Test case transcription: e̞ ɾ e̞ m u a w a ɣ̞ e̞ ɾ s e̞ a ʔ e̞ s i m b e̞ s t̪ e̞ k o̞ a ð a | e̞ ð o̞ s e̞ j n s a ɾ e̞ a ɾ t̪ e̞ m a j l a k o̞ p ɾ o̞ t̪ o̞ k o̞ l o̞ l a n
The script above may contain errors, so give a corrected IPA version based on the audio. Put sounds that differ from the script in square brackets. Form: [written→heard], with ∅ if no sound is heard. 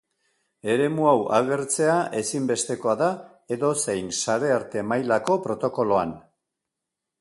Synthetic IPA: e̞ ɾ e̞ m u a w a ɣ̞ e̞ ɾ [s→t͡s] e̞ a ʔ e̞ s i m b e̞ s t̪ e̞ k o̞ a ð a | e̞ ð o̞ s e̞ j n s a ɾ e̞ a ɾ t̪ e̞ m a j l a k o̞ p ɾ o̞ t̪ o̞ k o̞ l o̞ [l→∅] a n